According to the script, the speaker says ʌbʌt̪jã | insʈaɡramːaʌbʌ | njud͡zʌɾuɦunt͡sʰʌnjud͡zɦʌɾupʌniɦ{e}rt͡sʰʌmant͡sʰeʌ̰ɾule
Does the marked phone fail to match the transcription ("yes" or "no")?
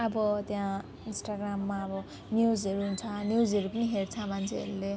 no